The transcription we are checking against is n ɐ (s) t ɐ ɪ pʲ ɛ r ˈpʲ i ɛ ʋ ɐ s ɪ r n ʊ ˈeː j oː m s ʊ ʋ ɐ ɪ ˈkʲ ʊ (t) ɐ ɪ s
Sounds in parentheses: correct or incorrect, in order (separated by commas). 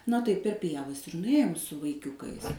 incorrect, incorrect